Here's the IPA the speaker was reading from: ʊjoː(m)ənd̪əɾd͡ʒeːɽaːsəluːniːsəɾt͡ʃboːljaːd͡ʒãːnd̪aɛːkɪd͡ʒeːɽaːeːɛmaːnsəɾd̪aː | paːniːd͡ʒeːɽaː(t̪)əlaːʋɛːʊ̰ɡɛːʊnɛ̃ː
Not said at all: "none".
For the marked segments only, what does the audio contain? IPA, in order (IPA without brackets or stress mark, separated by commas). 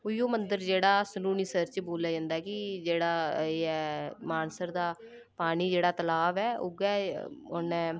m, t̪